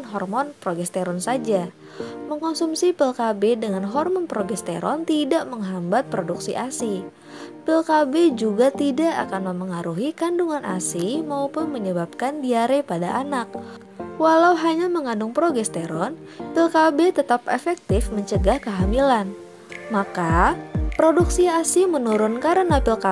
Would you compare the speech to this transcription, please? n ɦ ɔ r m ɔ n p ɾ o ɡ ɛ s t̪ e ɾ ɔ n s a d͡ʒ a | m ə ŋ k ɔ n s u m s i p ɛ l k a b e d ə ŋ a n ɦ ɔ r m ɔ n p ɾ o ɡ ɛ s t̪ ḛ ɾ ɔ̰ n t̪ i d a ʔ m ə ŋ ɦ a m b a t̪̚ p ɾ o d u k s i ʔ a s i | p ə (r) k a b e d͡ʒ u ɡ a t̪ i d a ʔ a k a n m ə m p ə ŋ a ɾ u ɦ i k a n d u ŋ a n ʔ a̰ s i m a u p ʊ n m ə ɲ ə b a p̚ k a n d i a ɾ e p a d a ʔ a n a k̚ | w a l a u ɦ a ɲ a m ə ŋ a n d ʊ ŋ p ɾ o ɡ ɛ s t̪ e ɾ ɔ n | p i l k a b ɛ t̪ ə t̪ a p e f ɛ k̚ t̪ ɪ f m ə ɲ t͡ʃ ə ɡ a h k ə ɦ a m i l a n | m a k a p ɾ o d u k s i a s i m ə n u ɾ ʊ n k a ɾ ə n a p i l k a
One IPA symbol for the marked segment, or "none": l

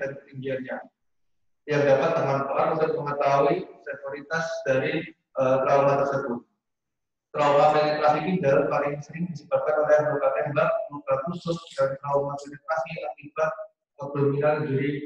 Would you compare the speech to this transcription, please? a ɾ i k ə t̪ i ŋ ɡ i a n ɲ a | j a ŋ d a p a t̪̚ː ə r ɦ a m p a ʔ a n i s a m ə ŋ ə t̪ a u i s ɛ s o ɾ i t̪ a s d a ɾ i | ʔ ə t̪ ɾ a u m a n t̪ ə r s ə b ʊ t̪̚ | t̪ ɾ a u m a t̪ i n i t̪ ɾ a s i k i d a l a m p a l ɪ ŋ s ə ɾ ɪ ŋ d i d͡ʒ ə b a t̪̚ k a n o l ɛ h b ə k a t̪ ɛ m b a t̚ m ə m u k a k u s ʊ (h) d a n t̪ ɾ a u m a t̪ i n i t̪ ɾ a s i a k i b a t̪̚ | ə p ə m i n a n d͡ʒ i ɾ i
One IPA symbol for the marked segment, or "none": s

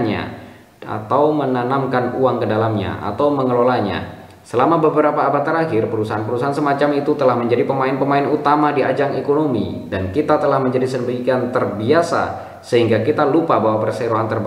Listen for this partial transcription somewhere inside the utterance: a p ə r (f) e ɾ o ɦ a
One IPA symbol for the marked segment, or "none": s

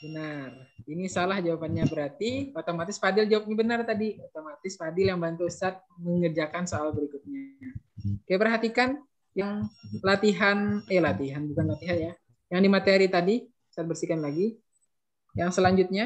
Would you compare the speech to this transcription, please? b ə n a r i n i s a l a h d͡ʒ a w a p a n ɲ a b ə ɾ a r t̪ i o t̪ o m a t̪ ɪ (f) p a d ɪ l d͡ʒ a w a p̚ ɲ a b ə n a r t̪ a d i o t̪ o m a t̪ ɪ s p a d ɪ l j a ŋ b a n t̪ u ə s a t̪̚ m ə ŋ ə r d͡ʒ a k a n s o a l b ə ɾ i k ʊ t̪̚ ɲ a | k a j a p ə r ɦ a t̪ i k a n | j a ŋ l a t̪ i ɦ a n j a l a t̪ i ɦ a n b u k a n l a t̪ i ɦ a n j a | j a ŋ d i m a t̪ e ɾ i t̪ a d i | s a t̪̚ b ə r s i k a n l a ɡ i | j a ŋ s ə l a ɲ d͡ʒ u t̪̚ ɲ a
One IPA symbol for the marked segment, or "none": s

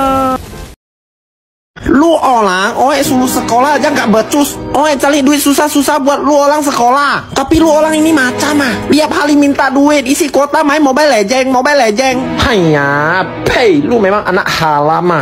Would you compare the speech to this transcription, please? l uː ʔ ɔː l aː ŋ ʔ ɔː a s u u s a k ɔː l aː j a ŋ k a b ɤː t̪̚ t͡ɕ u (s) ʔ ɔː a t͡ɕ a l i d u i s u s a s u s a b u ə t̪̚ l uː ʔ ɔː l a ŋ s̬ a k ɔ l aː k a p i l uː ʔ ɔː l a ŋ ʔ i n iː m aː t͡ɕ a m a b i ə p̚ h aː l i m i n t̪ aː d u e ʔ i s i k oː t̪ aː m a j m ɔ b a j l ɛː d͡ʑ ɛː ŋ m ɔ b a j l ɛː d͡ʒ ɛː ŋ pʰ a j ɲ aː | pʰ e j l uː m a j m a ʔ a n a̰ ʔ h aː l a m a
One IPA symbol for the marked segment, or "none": s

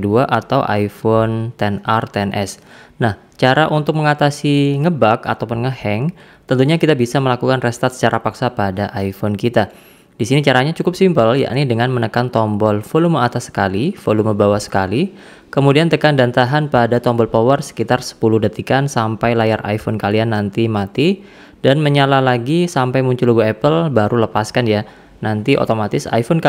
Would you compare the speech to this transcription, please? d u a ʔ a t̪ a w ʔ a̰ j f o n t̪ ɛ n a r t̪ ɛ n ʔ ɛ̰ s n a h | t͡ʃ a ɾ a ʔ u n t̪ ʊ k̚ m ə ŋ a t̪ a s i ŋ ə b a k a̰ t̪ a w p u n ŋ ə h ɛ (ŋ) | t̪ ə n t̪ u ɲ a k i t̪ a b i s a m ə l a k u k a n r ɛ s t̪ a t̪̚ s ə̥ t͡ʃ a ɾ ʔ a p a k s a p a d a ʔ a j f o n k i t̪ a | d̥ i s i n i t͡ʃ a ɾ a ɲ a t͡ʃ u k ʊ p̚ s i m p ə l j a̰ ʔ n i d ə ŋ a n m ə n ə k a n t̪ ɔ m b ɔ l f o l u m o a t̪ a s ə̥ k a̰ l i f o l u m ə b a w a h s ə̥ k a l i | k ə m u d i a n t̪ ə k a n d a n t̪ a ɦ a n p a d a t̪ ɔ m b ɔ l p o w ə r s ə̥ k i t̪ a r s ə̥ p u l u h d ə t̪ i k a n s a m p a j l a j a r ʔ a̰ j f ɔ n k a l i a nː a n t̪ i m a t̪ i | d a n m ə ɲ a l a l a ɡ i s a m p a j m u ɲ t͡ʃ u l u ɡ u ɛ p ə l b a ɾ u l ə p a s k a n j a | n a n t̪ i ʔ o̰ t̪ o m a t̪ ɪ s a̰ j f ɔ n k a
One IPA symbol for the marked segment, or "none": ŋ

